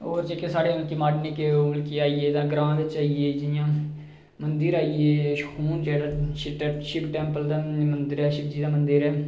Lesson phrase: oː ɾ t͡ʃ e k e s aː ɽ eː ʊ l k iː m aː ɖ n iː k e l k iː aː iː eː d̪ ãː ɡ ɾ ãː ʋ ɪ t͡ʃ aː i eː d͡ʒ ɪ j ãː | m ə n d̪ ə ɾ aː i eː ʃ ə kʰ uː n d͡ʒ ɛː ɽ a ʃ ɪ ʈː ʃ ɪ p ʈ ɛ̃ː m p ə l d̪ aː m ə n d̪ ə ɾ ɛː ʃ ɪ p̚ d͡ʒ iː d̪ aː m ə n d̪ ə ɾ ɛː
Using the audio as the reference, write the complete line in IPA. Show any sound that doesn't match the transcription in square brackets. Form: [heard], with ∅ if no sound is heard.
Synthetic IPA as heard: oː ɾ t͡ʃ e k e s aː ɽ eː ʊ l k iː m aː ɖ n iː k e l k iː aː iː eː d̪ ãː ɡ ɾ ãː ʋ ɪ t͡ʃ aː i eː d͡ʒ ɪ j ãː | m ə n d̪ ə ɾ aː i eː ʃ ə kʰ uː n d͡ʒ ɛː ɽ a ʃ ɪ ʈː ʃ ɪ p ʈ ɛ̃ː m p ə l d̪ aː m ə n d̪ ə ɾ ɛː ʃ ɪ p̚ d͡ʒ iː d̪ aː m ə n d̪ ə ɾ ɛː

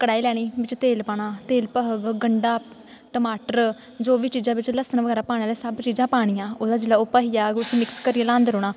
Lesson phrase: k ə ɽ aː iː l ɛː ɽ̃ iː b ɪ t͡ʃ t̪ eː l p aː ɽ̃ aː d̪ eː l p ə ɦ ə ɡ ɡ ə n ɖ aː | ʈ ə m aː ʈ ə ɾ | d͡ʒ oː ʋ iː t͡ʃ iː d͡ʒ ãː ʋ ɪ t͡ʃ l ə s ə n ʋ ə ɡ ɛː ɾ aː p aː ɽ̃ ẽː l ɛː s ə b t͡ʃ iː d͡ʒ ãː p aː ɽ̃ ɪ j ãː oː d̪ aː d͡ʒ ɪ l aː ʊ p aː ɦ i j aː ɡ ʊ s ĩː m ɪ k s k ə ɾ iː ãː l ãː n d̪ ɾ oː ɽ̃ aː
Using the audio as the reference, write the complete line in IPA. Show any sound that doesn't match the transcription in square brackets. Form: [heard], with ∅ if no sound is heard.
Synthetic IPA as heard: k ə ɽ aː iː l ɛː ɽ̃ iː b ɪ t͡ʃ t̪ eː l p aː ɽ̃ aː [t̪] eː l p ə ɦ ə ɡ ɡ ə [ɳ] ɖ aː | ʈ ə m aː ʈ ə ɾ | d͡ʒ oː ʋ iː t͡ʃ iː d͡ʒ ãː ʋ ɪ t͡ʃ l ə s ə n ʋ ə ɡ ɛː ɾ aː p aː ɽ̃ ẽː l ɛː s ə b t͡ʃ iː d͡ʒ ãː p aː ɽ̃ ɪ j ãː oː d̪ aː d͡ʒ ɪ l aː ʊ p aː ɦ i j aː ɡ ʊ s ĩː m ɪ k s k ə ɾ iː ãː l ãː n d̪ ɾ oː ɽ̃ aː

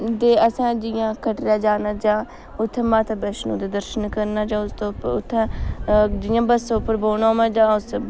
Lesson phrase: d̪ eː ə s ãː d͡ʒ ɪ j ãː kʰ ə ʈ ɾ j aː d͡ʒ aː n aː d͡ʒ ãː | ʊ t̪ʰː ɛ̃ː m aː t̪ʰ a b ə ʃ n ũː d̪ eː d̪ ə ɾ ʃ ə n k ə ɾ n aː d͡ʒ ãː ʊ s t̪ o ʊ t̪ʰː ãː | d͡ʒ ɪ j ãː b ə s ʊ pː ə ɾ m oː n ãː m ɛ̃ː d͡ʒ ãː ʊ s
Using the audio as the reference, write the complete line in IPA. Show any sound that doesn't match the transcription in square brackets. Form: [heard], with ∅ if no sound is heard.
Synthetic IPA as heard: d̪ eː ə s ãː d͡ʒ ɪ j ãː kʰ ə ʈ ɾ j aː d͡ʒ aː n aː d͡ʒ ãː | ʊ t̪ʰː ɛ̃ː m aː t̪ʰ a b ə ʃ n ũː d̪ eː d̪ ə ɾ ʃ ə n k ə ɾ n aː d͡ʒ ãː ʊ s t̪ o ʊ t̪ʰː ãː | d͡ʒ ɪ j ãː b ə s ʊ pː ə ɾ [b] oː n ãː m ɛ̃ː d͡ʒ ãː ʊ s

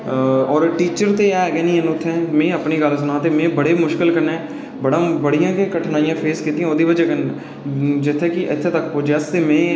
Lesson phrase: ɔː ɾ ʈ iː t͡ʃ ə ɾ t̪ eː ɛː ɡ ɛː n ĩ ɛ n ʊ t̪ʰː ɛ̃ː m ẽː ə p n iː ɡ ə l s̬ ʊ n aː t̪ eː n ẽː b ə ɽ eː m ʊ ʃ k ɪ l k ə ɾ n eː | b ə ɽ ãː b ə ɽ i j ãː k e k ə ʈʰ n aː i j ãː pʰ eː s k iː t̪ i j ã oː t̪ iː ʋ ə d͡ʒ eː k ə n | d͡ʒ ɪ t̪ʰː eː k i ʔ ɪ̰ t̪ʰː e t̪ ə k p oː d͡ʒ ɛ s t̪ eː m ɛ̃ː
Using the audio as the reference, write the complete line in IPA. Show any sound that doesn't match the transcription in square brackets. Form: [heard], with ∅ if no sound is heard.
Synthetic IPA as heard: ɔː ɾ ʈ iː t͡ʃ ə ɾ t̪ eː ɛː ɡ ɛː n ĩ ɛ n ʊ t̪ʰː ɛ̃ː m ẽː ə p n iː ɡ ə l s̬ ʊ n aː t̪ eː [m] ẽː b ə ɽ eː m ʊ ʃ k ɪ l k ə ɾ n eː | b ə ɽ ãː b ə ɽ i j ãː k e k ə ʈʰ n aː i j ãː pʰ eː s k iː t̪ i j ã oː [d̪] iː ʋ ə d͡ʒ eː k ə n | d͡ʒ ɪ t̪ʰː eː k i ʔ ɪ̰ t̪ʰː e t̪ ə k p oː d͡ʒ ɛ s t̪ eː m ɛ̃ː

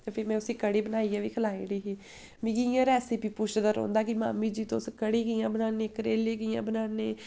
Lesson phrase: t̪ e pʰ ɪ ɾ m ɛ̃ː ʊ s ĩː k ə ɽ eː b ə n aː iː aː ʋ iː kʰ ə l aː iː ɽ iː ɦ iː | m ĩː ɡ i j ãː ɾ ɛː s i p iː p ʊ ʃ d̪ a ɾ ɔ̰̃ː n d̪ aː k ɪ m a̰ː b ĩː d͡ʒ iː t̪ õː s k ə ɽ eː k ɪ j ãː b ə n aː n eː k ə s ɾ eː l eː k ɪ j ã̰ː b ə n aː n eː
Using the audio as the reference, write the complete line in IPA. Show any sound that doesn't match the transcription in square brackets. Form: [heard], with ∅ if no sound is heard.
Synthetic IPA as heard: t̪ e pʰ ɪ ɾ m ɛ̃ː ʊ s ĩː k ə ɽ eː b ə n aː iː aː ʋ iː kʰ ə l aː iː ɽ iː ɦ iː | m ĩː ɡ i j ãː ɾ ɛː s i p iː p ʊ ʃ d̪ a ɾ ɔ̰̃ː n d̪ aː k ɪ m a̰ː [m] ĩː d͡ʒ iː t̪ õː s k ə ɽ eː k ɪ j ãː b ə n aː n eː k ə [∅] ɾ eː l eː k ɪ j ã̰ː b ə n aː n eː

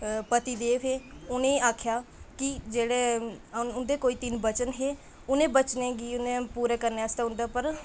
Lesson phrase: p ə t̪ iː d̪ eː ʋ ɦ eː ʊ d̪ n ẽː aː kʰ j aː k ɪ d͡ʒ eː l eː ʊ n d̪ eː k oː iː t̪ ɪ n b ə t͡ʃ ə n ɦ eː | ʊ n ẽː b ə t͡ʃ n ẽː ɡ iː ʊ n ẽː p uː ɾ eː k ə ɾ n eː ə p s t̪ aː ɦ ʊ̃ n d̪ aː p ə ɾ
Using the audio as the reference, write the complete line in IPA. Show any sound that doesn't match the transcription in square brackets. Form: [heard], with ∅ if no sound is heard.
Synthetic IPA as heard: p ə t̪ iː d̪ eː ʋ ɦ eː ʊ [∅] n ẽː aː kʰ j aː k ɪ d͡ʒ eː [ɽ] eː ʊ n d̪ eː k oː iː t̪ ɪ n b ə t͡ʃ ə n ɦ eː | ʊ n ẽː b ə t͡ʃ n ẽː ɡ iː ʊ n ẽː p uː ɾ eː k ə ɾ n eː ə [∅] s t̪ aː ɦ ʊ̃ n d̪ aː p ə ɾ

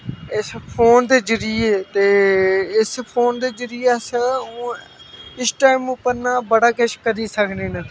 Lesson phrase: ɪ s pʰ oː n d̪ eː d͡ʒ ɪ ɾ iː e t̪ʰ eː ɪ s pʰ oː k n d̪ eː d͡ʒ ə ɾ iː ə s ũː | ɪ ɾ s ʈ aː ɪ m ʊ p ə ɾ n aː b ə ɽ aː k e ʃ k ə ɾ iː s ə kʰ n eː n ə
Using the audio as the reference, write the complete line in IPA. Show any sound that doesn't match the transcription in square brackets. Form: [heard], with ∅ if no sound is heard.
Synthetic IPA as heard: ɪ s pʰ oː n d̪ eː d͡ʒ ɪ ɾ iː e [t̪] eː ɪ s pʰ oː [∅] n d̪ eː d͡ʒ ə ɾ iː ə s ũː | ɪ [∅] s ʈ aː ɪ m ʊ p ə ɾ n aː b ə ɽ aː k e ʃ k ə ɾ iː s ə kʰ n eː n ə

